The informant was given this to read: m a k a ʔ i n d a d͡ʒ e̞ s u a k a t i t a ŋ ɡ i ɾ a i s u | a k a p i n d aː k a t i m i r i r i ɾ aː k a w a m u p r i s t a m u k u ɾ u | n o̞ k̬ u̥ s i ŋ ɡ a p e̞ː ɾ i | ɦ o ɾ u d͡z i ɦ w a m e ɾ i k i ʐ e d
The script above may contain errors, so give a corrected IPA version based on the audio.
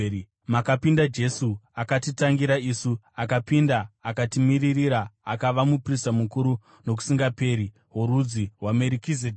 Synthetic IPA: m a k a p i n d a d͡ʒ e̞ s u a k a t i t a ŋ ɡ i ɾ a i s u | a k a p i n d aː k a t i m i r i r i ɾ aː k a ʋ a m u p r i s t a m u k u ɾ u | n o̞ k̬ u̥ s i ŋ ɡ a p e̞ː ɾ i | ɦ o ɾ u d͡z i ɦ w a m e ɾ i k i z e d